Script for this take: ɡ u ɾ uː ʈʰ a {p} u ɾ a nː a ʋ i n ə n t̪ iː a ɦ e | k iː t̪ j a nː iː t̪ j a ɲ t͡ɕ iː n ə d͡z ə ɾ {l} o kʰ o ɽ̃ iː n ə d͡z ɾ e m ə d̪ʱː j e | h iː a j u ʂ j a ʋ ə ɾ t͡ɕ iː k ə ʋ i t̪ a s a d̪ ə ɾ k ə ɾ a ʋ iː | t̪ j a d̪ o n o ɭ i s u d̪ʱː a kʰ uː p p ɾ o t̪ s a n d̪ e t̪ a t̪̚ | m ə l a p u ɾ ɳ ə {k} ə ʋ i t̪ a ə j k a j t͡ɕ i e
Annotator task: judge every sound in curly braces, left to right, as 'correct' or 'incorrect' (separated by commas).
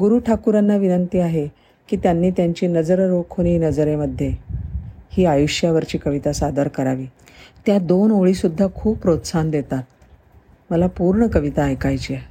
incorrect, incorrect, correct